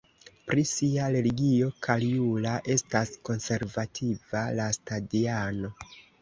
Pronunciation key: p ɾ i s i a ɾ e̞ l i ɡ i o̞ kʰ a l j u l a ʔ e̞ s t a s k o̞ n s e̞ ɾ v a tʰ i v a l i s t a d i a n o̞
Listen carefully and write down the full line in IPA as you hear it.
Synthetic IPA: p ɾ i s i a ɾ e̞ l i ɡ i o̞ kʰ a l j u l a ʔ e̞ s t a s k o̞ n s e̞ ɾ v a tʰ i v a l a s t a d i a n o̞